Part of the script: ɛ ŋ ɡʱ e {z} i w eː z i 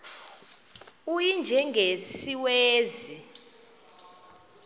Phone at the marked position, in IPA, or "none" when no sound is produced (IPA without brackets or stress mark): s